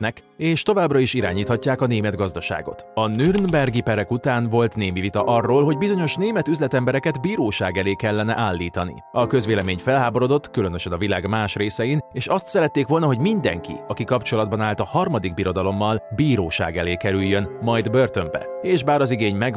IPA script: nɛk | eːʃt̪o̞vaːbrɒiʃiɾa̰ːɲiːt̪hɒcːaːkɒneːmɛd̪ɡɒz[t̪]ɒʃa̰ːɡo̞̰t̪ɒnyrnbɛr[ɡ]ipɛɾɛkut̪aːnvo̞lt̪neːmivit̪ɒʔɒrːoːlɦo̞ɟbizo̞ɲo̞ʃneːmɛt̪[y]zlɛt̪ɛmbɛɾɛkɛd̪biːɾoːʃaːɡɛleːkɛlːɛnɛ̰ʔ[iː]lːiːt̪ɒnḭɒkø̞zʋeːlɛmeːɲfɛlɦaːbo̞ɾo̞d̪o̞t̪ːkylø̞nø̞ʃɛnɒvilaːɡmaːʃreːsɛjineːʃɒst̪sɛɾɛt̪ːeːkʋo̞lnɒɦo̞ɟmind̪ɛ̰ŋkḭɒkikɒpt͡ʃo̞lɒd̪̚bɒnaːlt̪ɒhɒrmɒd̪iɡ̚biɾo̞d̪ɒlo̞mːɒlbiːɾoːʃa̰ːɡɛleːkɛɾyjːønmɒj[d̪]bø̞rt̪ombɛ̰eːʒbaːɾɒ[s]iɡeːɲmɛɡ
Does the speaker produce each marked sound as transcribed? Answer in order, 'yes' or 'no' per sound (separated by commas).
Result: no, yes, yes, no, yes, no